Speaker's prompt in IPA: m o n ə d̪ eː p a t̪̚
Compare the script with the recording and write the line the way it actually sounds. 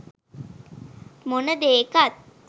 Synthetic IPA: m o n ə d̪ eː k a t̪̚